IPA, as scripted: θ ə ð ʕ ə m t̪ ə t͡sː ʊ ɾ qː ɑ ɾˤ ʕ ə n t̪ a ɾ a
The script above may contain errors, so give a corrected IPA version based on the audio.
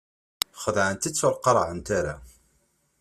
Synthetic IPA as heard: χ ə ð ʕ ə n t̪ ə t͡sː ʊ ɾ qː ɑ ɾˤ ʕ ə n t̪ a ɾ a

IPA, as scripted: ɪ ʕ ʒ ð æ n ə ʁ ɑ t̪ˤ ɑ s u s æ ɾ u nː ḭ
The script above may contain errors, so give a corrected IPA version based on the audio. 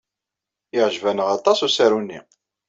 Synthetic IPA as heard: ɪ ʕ ʒ v æ n ə ʁ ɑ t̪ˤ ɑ s u s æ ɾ u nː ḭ

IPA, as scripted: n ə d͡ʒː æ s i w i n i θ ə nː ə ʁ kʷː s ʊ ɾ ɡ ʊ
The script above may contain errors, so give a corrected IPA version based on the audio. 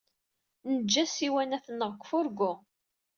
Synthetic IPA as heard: n ə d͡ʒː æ s i w æ n æ θ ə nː ə ʁ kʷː f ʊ ɾ ɡ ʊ

